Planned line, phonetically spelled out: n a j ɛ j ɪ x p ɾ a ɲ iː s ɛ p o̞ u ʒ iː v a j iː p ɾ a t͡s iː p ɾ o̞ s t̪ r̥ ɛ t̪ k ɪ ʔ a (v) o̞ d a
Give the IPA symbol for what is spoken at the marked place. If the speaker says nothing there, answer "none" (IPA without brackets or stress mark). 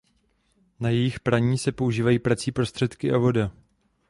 v